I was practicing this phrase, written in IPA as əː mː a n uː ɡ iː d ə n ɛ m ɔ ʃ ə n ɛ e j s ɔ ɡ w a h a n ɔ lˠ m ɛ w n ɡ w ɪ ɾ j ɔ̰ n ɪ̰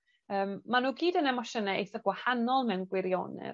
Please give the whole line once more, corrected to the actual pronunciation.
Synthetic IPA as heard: əː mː a n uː ɡ iː d ə n ɛ m ɔ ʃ ə n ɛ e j θ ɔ ɡ w a h a n ɔ lˠ m ɛ w n ɡ w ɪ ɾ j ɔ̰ n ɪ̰